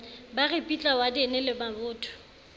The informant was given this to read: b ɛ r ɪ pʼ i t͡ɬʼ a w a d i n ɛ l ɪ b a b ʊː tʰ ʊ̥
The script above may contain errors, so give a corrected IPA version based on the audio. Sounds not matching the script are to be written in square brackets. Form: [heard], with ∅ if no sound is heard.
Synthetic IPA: b [a] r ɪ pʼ i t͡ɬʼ a w a d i n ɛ l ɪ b a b ʊː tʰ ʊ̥